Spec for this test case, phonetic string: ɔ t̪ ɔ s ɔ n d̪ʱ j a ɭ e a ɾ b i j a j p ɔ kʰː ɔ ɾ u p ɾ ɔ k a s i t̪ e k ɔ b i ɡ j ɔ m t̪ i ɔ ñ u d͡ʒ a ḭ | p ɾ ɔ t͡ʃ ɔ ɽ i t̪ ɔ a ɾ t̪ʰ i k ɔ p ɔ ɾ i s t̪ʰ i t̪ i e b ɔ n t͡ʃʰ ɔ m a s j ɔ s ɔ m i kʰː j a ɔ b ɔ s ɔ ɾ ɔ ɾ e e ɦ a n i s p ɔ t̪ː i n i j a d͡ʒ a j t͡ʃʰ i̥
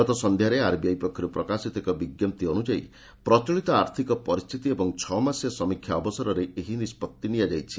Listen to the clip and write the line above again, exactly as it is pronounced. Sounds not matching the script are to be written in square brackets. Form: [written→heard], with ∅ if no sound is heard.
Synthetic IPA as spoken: ɔ t̪ ɔ s ɔ n d̪ʱ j a [ɭ→ɾ] e a ɾ b i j a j p ɔ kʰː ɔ ɾ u p ɾ ɔ k a s i t̪ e k ɔ b i ɡ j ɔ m t̪ i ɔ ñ u d͡ʒ a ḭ | p ɾ ɔ t͡ʃ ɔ [ɽ→ɭ] i t̪ ɔ a ɾ t̪ʰ i k ɔ p ɔ ɾ i s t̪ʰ i t̪ i e b ɔ [n→ŋ] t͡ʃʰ ɔ m a s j ɔ s ɔ m i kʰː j a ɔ b ɔ s ɔ ɾ ɔ ɾ e e ɦ [a→i] n i s p ɔ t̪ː i n i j a d͡ʒ a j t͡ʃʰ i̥